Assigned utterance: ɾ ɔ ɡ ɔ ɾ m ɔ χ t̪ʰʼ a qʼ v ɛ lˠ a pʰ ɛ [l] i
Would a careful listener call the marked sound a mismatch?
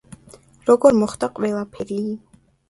yes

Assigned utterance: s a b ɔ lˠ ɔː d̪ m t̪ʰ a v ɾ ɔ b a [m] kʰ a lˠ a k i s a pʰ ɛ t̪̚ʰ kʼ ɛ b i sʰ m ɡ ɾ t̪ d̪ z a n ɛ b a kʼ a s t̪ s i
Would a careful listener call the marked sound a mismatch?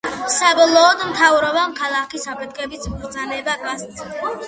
no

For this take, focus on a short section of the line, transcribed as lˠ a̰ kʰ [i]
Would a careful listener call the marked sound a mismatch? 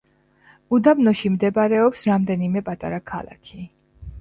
no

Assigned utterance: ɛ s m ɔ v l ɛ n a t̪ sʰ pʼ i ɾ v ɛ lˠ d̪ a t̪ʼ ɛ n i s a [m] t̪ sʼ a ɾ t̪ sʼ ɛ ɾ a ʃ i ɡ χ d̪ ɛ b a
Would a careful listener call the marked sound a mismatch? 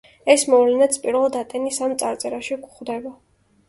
no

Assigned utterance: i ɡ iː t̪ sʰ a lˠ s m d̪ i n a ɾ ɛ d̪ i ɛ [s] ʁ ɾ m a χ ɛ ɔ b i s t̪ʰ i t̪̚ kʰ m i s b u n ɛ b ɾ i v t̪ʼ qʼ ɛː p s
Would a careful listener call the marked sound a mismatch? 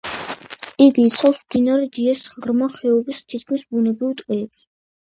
no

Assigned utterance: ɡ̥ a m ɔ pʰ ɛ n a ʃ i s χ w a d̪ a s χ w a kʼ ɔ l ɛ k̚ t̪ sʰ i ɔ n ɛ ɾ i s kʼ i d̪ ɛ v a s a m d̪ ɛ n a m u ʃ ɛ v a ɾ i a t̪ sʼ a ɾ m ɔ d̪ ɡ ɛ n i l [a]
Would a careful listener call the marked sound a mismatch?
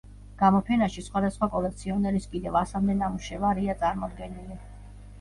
yes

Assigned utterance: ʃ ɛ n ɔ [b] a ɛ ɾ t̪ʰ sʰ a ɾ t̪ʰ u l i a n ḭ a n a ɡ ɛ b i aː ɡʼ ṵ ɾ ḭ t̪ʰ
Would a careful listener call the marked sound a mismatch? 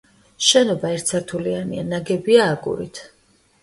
no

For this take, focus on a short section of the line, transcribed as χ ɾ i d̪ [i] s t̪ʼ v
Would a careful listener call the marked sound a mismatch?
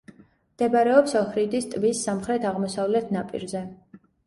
no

